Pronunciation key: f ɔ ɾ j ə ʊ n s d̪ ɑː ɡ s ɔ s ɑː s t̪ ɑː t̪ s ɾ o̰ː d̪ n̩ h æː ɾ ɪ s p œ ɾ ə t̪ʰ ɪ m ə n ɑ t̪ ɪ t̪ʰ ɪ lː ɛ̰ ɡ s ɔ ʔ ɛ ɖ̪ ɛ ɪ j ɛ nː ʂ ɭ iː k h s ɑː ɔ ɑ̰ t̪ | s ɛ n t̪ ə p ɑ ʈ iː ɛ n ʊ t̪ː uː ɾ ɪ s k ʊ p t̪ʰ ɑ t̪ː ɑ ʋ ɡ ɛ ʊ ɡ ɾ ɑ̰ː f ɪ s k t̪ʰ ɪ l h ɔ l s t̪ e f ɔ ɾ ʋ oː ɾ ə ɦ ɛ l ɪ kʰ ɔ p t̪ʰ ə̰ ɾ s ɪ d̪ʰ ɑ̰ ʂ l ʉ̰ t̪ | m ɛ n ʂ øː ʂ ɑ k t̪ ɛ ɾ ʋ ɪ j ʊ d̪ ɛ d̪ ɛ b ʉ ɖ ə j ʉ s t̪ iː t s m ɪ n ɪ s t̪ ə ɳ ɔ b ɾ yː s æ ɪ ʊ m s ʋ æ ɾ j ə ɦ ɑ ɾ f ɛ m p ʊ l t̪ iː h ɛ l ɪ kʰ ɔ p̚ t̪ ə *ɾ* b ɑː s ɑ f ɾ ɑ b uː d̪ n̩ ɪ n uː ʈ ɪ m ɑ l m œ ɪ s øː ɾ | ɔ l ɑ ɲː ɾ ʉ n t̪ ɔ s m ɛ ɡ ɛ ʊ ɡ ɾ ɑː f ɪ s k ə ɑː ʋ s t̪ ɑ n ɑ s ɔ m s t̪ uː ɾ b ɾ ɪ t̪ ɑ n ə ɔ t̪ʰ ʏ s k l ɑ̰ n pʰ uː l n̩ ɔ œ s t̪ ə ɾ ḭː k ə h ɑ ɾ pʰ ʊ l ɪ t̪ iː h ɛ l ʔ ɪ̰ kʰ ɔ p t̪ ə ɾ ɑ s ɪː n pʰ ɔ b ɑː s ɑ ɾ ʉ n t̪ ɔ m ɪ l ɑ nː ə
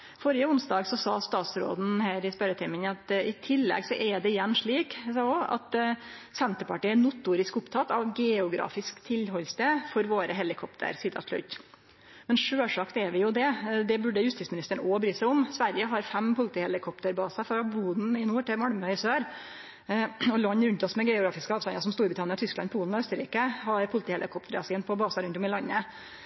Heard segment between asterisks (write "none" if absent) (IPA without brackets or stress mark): ɾ